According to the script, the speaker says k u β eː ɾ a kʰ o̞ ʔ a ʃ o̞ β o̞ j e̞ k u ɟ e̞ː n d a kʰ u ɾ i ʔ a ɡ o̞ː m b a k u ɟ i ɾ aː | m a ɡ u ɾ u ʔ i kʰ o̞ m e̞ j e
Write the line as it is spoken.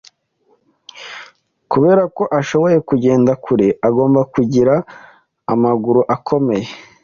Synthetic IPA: k u β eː ɾ a k o̞ ʔ a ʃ o̞ β o̞ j e̞ k u ɟ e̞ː n d a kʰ u ɾ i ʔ a ɡ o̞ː m b a k u ɟ i ɾ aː | m a ɡ u ɾ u ʔ a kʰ o̞ m e̞ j e